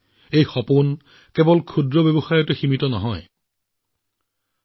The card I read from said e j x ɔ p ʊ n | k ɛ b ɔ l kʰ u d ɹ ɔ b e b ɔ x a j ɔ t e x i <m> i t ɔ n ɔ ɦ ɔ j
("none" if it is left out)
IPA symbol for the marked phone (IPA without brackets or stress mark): m